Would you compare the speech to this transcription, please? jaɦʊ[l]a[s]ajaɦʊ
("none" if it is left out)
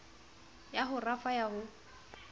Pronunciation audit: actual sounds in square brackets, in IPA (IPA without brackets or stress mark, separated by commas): r, f